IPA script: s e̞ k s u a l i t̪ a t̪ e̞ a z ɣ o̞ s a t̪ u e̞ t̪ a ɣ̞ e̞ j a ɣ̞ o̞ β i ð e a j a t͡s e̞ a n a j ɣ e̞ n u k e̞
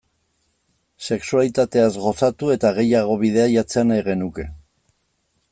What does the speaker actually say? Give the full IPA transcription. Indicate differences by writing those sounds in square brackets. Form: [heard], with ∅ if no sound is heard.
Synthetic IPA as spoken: s e̞ k s u a l i t̪ a t̪ e̞ a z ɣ o̞ s a t̪ u e̞ t̪ a ɣ̞ e̞ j a ɣ̞ o̞ β i ð e a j a t͡s e̞ a n a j ɣ e̞ n u k e̞